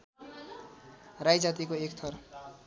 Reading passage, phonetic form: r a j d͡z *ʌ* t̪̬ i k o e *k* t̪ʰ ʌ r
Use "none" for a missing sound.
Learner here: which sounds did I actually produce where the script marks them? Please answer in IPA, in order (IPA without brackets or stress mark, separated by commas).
a, k